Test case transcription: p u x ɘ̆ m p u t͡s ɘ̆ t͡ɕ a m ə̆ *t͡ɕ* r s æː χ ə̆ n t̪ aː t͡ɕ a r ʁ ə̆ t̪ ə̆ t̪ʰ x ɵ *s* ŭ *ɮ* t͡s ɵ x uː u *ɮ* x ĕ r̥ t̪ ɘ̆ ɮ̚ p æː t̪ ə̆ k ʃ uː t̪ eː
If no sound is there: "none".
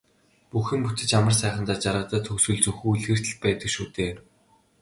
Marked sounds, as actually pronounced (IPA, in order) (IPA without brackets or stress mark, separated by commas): none, s, ɮ, ɮ